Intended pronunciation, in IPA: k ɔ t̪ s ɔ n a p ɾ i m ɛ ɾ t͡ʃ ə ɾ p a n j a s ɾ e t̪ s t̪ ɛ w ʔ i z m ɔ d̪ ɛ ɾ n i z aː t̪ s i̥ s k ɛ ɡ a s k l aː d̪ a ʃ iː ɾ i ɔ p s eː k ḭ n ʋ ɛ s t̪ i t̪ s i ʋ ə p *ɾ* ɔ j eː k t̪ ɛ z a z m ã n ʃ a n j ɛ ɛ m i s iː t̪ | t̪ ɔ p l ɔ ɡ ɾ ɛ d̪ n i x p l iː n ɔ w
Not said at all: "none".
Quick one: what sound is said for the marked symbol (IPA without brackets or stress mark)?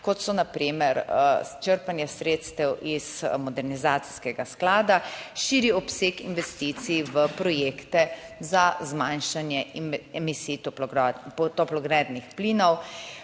ɾ